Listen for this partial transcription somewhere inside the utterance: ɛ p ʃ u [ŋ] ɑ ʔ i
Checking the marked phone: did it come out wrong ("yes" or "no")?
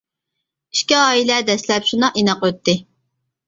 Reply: yes